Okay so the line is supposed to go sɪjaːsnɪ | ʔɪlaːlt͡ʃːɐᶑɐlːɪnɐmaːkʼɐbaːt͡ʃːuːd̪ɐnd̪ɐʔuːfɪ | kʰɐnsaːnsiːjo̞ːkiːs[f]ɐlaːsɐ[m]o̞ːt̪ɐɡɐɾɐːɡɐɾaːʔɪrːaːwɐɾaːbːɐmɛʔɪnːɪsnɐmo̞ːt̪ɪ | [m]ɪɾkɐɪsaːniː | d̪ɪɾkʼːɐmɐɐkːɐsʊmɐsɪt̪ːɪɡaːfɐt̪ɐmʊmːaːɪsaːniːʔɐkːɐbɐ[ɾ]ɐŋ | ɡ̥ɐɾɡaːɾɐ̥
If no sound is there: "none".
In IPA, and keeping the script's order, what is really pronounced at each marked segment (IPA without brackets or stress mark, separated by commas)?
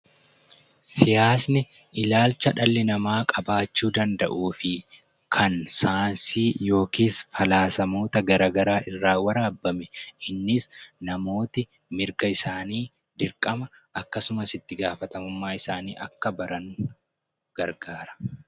f, m, m, ɾ